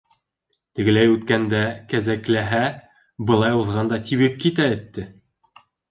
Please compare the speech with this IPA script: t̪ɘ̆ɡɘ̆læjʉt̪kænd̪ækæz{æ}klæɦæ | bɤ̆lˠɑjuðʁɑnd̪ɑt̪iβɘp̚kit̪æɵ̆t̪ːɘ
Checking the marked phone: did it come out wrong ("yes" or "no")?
no